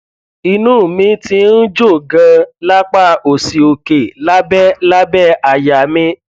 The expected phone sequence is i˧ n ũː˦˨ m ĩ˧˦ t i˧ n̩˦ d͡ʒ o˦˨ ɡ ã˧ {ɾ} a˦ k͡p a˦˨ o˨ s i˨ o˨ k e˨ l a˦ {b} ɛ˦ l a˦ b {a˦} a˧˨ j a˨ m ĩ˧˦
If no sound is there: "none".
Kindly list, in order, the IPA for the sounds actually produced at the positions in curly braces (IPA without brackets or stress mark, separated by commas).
l, b, ɛ˦